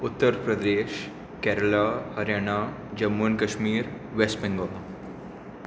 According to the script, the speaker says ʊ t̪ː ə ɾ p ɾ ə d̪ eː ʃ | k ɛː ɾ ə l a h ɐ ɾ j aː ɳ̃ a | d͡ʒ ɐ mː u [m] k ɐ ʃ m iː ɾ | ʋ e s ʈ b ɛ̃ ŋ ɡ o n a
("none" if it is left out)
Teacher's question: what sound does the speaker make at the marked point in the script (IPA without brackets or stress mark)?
n